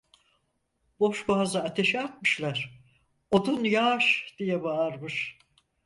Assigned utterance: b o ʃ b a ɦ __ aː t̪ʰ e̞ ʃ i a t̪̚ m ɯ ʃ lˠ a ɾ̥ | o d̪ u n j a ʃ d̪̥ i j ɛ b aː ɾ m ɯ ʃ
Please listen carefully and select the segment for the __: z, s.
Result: z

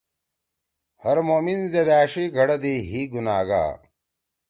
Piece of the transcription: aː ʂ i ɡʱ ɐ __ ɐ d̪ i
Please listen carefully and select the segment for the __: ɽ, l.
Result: ɽ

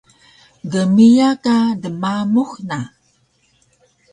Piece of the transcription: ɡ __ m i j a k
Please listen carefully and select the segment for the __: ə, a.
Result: ə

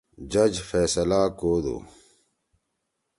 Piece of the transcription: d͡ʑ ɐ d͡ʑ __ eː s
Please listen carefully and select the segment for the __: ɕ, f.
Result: f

